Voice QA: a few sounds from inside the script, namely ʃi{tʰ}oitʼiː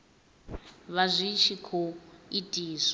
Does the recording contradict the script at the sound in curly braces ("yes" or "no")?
yes